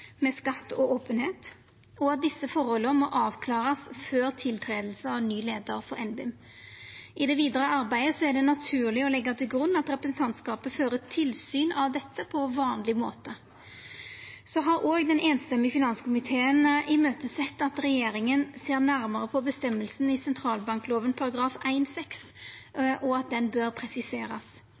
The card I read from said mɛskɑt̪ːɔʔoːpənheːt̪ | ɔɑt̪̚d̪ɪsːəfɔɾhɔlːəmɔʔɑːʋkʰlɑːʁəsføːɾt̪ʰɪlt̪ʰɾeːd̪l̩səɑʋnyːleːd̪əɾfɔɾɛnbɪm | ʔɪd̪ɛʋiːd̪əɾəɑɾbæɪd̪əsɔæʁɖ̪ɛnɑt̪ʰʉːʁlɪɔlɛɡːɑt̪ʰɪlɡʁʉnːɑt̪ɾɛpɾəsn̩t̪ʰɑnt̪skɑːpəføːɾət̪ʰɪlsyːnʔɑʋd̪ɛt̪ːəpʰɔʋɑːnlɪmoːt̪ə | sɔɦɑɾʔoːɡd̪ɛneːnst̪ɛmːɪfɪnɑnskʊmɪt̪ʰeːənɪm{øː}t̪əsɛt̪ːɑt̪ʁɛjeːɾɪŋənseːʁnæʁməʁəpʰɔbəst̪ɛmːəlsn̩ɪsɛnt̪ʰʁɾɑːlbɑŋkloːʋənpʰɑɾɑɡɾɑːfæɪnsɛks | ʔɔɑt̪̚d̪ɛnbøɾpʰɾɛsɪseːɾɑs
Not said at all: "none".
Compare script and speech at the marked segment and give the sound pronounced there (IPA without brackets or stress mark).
øː